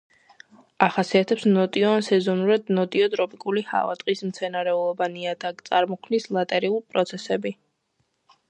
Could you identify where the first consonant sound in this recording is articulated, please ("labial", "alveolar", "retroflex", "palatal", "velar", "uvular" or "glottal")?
uvular